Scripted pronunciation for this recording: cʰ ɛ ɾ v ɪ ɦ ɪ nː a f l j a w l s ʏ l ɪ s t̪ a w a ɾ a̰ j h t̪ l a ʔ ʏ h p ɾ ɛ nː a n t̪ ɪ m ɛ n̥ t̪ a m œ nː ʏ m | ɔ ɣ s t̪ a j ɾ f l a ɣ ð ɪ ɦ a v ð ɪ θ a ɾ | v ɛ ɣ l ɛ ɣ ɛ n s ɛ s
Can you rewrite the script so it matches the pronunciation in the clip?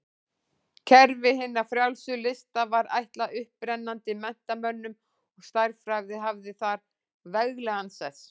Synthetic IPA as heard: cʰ ɛ ɾ v ɪ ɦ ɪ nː a f ɾ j a w l s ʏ l ɪ s t̪ a v a ɾ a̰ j h t̪ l a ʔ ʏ h p ɾ ɛ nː a n t̪ ɪ m ɛ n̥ t̪ a m œ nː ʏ m | ɔ ɣ s t̪ a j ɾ f ɾ a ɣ ð ɪ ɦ a v ð ɪ θ a ɾ | v ɛ ɣ l ɛ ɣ a n s ɛ s